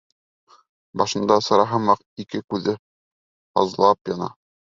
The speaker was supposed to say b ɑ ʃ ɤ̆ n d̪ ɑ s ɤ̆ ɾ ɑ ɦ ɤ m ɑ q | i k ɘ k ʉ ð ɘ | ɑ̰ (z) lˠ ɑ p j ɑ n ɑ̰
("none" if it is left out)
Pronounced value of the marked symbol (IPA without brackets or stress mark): z